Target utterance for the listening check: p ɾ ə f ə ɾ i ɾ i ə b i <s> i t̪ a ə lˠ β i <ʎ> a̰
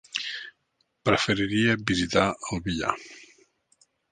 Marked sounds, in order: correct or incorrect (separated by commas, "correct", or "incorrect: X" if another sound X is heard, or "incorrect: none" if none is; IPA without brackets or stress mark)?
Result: incorrect: z, correct